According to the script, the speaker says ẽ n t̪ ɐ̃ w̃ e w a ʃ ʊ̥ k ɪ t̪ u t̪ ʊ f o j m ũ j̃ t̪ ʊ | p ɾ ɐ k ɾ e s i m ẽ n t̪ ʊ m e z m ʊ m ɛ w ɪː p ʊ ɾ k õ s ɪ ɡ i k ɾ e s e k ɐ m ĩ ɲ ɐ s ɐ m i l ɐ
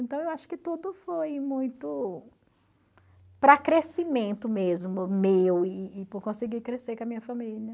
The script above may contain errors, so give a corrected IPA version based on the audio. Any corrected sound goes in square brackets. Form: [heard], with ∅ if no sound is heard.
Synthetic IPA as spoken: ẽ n t̪ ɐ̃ w̃ e w a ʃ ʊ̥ k ɪ t̪ u [d̪] ʊ f o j m ũ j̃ t̪ ʊ | p ɾ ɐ k ɾ e s i m ẽ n t̪ ʊ m e z m ʊ m [e] w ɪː p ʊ ɾ k õ s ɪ ɡ i k ɾ e s e k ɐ m ĩ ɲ ɐ [f] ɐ m i l ɐ